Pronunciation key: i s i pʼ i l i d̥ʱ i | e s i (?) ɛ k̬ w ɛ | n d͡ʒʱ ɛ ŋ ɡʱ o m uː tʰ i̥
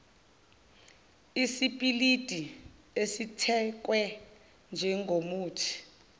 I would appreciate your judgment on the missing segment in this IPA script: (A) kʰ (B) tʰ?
B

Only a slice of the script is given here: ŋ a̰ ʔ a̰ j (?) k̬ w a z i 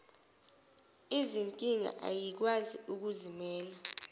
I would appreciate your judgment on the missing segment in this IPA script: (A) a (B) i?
B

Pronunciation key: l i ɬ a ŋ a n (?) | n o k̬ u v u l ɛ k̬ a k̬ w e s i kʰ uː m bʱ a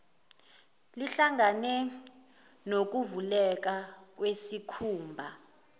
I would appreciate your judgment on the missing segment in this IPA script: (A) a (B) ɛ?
B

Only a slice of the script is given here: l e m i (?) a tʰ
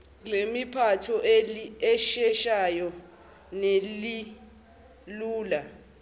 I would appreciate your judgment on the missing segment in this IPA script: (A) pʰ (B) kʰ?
A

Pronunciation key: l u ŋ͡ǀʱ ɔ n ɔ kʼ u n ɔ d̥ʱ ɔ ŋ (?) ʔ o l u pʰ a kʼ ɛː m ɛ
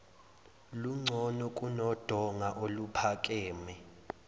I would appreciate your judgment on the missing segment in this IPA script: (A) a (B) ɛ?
A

